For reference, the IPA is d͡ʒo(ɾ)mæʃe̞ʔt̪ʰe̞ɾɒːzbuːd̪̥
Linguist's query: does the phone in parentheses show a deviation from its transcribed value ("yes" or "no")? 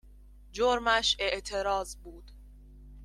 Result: no